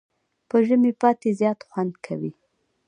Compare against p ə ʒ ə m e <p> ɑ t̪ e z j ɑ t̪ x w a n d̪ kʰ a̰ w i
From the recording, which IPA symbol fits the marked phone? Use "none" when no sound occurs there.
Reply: p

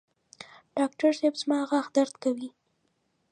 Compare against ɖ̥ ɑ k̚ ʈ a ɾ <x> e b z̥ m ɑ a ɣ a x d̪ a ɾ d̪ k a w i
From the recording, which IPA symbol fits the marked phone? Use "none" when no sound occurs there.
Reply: s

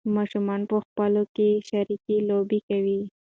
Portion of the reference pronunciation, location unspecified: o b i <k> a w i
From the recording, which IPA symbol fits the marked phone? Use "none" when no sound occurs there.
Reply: k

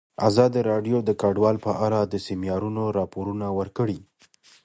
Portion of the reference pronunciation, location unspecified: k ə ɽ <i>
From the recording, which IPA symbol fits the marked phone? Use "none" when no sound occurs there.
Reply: i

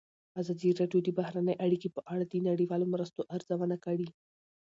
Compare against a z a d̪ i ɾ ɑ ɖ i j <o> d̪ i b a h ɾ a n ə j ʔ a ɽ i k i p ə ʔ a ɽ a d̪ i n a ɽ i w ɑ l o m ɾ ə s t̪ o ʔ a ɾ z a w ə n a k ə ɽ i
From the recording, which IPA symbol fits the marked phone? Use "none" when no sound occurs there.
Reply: o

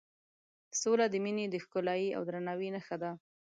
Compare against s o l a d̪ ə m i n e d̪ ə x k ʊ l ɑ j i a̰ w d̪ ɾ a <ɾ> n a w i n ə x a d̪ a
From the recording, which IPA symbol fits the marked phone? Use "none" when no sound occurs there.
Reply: none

